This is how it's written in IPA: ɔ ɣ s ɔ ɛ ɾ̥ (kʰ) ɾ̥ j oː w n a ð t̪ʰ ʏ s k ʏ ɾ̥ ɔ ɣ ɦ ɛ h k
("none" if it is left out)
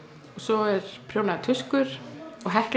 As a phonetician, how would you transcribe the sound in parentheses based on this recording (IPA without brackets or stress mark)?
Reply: pʰ